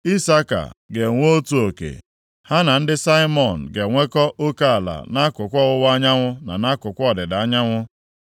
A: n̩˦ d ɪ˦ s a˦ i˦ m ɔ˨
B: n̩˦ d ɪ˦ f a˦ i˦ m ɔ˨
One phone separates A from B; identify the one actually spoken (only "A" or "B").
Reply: A